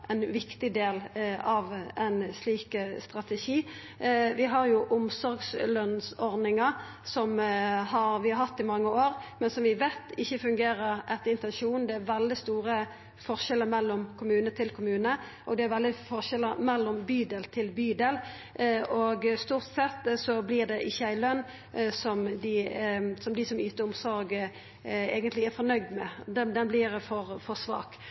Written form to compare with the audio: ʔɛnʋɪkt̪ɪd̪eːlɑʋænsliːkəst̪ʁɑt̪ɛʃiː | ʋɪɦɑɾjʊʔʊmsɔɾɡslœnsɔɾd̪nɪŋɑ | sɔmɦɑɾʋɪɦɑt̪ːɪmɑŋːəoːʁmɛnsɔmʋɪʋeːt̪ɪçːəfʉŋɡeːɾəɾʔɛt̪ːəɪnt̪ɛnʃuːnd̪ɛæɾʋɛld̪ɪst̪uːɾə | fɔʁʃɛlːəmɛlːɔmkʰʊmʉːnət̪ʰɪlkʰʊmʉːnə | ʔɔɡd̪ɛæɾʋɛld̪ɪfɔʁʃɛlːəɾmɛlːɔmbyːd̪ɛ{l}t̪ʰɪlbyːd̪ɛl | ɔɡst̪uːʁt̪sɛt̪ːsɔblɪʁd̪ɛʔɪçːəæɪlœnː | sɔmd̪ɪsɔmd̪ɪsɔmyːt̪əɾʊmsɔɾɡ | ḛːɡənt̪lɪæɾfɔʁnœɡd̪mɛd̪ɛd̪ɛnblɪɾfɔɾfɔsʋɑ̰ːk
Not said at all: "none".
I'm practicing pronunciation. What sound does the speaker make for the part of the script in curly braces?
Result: l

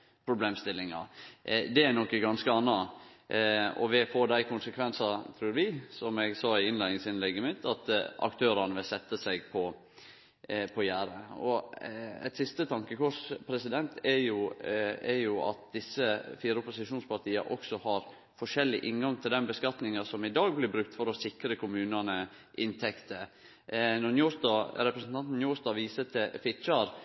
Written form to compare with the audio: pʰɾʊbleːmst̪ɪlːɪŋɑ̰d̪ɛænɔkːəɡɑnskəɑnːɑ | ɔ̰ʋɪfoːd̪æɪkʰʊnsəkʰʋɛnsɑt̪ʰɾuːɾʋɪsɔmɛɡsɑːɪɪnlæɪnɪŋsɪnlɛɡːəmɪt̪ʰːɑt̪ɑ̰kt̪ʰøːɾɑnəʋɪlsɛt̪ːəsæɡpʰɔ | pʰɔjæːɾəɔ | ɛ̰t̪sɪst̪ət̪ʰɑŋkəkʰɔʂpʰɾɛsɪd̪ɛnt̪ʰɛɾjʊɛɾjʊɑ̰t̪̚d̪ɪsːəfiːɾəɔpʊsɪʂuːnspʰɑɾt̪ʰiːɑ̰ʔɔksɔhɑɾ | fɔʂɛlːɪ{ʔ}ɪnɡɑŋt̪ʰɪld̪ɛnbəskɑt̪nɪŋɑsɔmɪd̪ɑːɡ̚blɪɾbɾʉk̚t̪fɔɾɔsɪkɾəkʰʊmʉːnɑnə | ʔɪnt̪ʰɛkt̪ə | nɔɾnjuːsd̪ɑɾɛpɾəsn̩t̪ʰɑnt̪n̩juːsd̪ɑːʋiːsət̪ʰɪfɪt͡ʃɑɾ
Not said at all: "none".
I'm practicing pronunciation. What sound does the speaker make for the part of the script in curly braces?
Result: ʔ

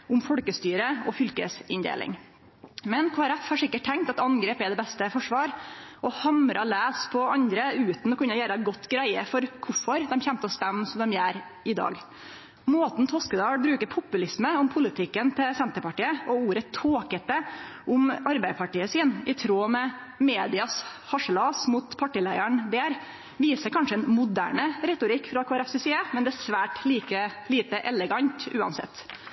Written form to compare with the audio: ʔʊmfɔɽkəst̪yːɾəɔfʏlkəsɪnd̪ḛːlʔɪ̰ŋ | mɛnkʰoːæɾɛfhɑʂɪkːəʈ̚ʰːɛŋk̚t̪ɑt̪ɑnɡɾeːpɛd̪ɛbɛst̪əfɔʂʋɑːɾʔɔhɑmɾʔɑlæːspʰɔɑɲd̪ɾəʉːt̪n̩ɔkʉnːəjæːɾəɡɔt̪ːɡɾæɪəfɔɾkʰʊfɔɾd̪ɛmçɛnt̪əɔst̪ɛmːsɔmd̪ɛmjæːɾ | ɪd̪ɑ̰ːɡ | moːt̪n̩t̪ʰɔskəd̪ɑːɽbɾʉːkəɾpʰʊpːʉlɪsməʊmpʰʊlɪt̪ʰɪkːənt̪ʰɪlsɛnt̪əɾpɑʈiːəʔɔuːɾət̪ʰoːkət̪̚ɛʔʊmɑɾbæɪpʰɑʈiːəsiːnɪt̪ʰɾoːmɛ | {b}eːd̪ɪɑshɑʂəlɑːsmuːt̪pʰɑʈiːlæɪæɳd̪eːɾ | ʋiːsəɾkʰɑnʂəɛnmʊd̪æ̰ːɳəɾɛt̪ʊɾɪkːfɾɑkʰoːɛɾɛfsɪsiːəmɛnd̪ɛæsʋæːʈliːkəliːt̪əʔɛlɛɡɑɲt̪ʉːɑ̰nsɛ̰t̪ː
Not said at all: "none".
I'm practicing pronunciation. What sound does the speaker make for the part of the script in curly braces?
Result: m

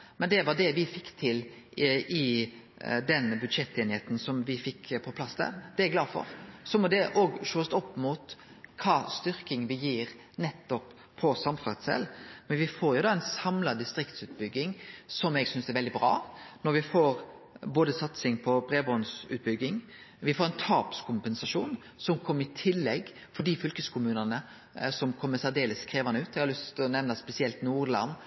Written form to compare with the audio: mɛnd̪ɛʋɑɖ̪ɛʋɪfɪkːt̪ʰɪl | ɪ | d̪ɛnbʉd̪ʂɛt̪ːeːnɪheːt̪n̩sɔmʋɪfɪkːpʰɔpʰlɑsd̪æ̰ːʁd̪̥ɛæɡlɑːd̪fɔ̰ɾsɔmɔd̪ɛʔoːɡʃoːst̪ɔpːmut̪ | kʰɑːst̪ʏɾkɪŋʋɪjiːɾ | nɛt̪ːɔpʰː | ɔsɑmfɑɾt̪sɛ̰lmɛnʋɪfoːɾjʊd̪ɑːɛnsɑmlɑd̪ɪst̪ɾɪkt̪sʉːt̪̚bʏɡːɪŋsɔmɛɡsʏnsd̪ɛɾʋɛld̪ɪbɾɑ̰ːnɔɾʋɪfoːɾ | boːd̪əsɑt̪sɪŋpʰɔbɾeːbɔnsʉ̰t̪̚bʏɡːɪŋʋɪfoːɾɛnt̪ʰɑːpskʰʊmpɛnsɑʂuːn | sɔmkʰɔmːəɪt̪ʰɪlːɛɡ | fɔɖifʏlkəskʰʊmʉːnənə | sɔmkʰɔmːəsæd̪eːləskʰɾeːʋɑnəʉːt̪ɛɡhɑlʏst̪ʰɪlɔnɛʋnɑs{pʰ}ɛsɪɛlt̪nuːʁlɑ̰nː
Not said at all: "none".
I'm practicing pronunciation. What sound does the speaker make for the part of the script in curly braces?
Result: p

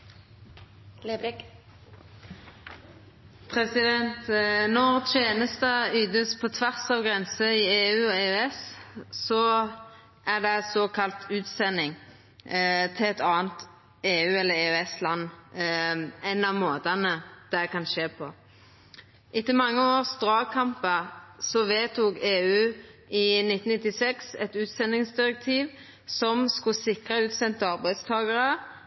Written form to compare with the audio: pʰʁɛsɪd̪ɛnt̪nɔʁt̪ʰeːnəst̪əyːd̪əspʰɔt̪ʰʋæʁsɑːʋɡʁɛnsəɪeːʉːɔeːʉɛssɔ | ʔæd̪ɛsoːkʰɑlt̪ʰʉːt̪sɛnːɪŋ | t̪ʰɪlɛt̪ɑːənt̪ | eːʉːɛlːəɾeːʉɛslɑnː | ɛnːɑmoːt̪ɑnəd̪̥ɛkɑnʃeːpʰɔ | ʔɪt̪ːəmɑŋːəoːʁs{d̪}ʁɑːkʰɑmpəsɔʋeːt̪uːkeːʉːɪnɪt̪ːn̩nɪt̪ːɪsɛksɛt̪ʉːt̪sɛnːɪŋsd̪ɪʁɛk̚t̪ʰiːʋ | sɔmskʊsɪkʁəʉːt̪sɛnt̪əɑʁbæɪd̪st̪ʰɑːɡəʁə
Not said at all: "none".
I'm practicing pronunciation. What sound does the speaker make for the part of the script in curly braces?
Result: d̪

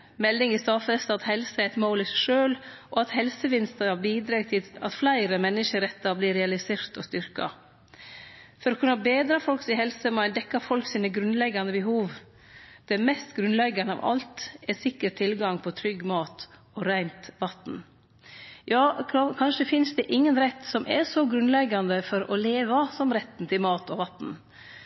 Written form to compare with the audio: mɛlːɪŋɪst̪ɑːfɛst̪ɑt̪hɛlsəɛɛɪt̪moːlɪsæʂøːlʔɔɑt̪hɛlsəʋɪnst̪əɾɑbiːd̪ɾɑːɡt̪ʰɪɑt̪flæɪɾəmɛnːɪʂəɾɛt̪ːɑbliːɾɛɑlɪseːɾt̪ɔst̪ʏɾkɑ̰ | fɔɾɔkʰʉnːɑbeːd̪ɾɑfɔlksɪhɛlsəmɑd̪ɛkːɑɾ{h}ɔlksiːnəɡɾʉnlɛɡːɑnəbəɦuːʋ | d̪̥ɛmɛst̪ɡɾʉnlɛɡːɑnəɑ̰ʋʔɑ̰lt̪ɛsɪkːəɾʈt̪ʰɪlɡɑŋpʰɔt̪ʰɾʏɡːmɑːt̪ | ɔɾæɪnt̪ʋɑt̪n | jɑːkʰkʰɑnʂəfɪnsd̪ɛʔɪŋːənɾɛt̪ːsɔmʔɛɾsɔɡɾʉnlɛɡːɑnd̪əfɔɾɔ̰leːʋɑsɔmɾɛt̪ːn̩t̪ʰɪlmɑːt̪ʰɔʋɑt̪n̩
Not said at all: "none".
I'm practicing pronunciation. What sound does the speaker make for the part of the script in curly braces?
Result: f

